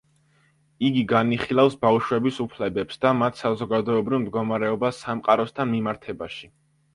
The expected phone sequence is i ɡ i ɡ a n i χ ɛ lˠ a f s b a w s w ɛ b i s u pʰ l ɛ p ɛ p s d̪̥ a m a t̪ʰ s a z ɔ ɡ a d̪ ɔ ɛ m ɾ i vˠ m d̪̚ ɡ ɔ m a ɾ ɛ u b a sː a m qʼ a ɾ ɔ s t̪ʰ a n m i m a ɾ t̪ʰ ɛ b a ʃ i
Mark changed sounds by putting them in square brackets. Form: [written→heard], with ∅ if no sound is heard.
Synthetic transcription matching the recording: i ɡ i ɡ a n i χ [ɛ→i] lˠ a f s b a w [s→ʃ] w ɛ b i s u pʰ l ɛ [p→b] ɛ p s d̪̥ a m a t̪ʰ s a z ɔ ɡ a d̪ ɔ ɛ [m→b] ɾ i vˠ m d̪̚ ɡ ɔ m a ɾ ɛ [u→ɔ] b a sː a m qʼ a ɾ ɔ s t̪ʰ a n m i m a ɾ t̪ʰ ɛ b a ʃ i